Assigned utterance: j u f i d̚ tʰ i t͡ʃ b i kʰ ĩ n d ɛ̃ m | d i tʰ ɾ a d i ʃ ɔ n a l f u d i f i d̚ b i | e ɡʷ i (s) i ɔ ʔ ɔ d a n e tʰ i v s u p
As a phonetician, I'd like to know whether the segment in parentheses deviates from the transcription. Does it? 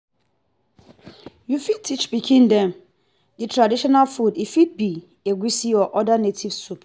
no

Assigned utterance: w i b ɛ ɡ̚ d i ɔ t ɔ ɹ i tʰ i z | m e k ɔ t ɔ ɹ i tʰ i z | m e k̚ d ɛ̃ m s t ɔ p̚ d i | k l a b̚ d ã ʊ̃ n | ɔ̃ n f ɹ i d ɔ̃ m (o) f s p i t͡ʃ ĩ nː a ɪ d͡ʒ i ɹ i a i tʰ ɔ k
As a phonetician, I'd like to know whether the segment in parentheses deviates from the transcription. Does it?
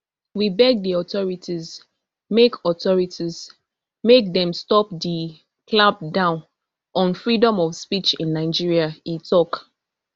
yes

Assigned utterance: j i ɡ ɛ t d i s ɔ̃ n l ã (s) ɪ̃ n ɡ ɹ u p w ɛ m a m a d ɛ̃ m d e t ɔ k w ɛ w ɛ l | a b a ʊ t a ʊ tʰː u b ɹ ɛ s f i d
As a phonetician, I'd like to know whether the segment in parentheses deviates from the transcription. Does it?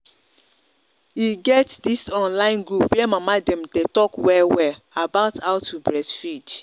yes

